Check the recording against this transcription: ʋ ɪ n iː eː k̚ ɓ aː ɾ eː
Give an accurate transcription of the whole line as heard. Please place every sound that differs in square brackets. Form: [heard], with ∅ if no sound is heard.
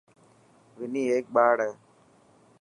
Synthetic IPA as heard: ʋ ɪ n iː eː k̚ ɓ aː [ɽ] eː